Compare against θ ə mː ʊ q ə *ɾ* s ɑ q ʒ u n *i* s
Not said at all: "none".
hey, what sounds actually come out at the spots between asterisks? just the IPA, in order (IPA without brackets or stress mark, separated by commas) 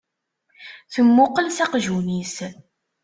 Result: l, i